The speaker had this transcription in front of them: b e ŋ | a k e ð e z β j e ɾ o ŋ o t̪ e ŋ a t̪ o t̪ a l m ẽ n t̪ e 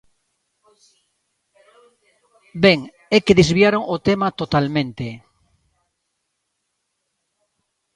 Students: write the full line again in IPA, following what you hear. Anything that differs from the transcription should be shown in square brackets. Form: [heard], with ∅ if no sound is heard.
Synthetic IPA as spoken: b e ŋ | [e] k e ð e z β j [a] ɾ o ŋ o t̪ e [m] a t̪ o t̪ a l m ẽ n t̪ e